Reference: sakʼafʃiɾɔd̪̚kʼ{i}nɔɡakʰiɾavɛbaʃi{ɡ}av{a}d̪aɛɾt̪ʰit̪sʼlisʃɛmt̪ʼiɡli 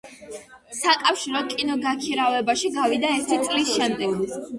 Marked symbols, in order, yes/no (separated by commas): yes, yes, no